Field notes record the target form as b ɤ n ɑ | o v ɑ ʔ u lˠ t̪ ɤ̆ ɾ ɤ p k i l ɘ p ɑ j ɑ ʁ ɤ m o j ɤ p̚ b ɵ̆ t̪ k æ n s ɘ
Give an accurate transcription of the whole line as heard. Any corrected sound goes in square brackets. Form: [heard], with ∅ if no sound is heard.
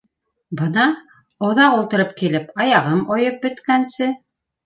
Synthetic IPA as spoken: b ɤ n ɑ | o [ð] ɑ [q] u lˠ t̪ ɤ̆ ɾ ɤ p k i l ɘ p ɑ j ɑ ʁ ɤ m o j ɤ p̚ b ɵ̆ t̪ k æ n s ɘ